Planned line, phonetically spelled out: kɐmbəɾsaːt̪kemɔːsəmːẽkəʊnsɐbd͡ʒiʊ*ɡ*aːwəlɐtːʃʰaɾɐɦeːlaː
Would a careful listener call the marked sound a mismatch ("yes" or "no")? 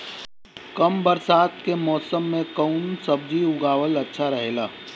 no